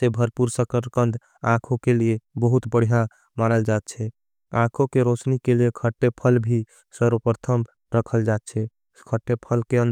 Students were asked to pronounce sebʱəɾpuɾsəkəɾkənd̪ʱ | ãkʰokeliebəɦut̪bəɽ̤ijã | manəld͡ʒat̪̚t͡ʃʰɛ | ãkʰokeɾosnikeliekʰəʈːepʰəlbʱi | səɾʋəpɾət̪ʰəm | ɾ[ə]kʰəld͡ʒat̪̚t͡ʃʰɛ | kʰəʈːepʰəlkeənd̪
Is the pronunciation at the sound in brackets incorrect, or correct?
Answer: correct